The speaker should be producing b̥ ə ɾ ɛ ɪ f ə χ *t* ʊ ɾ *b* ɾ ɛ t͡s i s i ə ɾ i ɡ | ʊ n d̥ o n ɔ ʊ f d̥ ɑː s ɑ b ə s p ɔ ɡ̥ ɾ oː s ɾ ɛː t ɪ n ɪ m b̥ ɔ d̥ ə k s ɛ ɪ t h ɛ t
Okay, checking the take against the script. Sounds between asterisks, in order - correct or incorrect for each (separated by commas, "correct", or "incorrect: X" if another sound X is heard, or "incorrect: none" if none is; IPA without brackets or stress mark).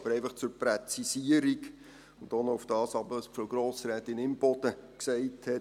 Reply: incorrect: t͡s, incorrect: p